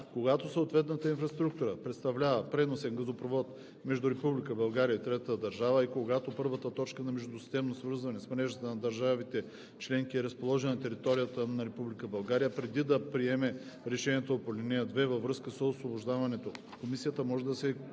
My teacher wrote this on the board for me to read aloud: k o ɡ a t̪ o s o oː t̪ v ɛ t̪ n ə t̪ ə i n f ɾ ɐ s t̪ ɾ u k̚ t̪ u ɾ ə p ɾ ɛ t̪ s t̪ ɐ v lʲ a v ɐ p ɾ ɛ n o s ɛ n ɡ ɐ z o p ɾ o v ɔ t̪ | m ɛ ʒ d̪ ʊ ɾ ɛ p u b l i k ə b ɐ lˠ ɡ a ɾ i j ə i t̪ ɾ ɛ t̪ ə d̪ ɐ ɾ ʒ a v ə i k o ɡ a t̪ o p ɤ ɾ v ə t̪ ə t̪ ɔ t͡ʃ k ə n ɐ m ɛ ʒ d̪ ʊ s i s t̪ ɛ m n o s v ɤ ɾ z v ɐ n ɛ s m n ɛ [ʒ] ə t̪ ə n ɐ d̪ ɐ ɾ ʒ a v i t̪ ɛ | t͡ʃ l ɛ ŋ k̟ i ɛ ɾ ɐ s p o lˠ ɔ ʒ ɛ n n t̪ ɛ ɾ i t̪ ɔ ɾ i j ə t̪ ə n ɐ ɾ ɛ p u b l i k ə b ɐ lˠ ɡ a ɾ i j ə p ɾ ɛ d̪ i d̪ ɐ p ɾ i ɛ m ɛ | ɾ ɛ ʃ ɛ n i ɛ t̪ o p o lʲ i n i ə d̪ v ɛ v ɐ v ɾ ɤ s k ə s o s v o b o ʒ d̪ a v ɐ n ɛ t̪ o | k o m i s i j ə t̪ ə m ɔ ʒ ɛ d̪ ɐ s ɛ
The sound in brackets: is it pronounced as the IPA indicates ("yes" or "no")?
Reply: yes